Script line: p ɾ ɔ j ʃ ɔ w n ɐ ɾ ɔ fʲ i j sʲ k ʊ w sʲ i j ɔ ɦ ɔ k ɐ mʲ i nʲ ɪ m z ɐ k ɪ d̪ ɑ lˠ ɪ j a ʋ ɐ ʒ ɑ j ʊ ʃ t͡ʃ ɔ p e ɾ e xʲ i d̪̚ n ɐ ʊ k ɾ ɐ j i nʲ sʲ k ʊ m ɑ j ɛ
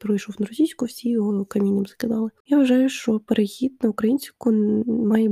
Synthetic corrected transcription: p ɾ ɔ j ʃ ɔ w n ɐ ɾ ɔ sʲ i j sʲ k ʊ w sʲ i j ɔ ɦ ɔ k ɐ mʲ i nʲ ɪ m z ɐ k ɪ d̪ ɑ lˠ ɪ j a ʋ ɐ ʒ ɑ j ʊ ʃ t͡ʃ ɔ p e ɾ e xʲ i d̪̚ n ɐ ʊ k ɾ ɐ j i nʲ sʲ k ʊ m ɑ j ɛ